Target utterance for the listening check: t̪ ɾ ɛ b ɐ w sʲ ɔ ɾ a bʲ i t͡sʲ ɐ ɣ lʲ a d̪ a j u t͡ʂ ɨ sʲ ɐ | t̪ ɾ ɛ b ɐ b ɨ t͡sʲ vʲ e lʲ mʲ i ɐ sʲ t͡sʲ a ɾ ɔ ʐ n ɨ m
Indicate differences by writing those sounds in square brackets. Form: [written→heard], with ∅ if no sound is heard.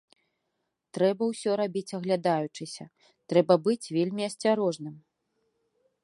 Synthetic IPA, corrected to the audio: t̪ ɾ ɛ b ɐ w sʲ ɔ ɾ a bʲ i t͡sʲ ɐ ɣ lʲ a d̪ a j u t͡ʂ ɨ sʲ ɐ | t̪ ɾ ɛ b ɐ b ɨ t͡sʲ vʲ e lʲ mʲ i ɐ sʲ t͡sʲ a ɾ ɔ ʐ n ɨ m